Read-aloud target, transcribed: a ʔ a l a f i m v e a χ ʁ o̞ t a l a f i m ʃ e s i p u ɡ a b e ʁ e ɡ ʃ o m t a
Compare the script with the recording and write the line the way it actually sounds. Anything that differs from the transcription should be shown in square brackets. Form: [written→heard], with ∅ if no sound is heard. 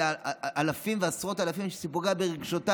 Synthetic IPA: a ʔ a l a f i m v e a [χ→s] ʁ o̞ t a l a f i m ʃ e s i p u ɡ a b e ʁ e ɡ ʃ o [m→∅] t a